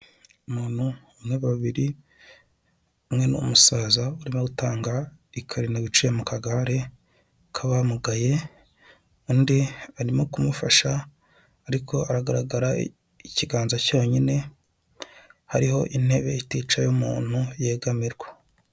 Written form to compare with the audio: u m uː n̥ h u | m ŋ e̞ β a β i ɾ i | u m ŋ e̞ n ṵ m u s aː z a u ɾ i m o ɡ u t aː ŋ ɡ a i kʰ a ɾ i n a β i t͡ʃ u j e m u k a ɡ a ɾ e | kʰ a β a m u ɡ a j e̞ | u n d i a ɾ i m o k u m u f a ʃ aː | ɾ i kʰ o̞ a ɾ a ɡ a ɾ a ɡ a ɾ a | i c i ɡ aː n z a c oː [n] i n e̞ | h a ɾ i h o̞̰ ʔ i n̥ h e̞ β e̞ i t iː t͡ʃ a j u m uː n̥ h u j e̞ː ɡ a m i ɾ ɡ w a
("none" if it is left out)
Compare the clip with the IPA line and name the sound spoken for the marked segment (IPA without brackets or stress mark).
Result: ɲ